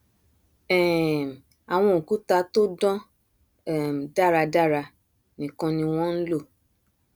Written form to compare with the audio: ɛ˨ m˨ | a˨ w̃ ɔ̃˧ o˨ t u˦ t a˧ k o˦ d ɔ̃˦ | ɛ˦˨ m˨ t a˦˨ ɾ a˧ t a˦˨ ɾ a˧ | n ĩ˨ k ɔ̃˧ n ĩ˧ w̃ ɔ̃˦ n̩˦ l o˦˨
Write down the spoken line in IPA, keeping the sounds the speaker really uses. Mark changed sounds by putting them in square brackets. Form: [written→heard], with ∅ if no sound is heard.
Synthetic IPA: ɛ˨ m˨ | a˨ w̃ ɔ̃˧ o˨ [t→k] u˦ t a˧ [k→t] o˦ d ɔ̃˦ | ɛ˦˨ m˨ [t→d] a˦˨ ɾ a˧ [t→d] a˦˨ ɾ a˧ | n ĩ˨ k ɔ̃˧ n ĩ˧ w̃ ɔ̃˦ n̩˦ l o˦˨